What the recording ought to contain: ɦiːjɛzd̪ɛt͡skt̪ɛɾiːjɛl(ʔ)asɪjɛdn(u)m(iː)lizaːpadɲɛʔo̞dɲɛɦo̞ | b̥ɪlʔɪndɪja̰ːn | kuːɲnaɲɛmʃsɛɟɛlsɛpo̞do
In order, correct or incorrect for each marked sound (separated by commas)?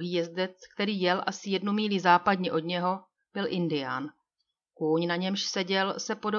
correct, correct, correct